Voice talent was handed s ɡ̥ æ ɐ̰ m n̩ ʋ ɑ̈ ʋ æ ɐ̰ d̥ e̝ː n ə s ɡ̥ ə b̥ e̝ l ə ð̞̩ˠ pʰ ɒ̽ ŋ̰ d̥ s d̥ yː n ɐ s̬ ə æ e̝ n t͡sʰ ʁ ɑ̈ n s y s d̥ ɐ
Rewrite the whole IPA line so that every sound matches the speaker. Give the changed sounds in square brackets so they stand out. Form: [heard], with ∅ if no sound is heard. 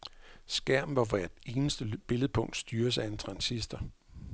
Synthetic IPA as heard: s ɡ̥ æ ɐ̰ m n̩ ʋ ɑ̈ ʋ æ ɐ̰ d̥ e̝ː n ə s [d̥] ə b̥ e̝ l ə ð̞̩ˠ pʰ [ɔ̽] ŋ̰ d̥ s d̥ yː [∅] ɐ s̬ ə æ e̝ n t͡sʰ ʁ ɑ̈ n s [i] s d̥ ɐ